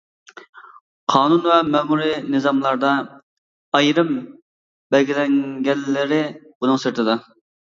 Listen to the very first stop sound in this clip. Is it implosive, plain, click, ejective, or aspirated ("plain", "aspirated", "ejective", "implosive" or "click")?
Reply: aspirated